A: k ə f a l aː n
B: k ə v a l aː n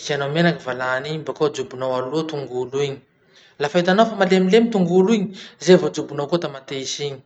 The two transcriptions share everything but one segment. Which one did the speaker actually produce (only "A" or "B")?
B